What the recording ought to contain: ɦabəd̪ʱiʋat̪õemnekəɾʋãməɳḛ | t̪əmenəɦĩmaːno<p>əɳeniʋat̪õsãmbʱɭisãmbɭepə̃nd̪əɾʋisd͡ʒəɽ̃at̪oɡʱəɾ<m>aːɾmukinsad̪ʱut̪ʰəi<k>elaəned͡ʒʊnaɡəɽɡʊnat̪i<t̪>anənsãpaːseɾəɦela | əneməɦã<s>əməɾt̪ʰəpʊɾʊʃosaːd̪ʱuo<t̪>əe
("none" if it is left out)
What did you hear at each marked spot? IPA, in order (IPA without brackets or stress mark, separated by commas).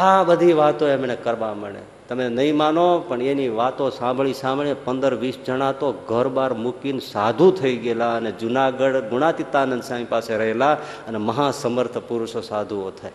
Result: p, b, ɡ, t̪, s, t̪ʰ